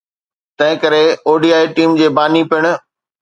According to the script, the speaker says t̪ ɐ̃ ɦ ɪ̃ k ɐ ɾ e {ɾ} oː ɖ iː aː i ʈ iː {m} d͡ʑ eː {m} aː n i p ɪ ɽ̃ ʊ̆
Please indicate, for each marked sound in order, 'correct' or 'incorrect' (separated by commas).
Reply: incorrect, correct, incorrect